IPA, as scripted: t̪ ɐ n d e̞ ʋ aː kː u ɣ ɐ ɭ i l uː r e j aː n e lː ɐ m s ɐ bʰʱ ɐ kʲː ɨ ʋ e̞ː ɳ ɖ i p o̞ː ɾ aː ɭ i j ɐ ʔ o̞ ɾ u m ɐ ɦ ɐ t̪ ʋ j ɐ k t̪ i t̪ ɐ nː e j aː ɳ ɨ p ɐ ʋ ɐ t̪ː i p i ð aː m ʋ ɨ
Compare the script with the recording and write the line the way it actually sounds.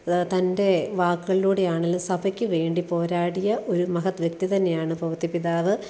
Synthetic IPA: t̪ ɐ n d e̞ ʋ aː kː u ɣ ɐ ɭ i l uː ɽ e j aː ɳ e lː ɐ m s ɐ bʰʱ ɐ kʲː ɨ ʋ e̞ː ɳ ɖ i p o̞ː ɾ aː ɽ i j ɐ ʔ o̞ ɾ u m ɐ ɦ ɐ t̪ ʋ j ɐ k t̪ i t̪ ɐ nː e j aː ɳ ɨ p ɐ ʋ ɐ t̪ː i p i ð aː ʋ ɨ